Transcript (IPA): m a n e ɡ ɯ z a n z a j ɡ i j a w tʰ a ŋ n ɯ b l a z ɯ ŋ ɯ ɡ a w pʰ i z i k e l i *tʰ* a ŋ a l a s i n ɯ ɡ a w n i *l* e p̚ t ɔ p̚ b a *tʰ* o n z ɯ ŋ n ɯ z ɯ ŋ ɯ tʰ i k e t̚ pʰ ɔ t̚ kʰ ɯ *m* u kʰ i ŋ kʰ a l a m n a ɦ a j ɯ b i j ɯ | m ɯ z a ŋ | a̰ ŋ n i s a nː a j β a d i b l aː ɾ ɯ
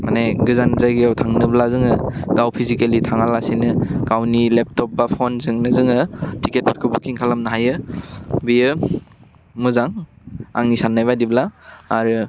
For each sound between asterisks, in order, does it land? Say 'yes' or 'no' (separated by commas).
yes, yes, no, no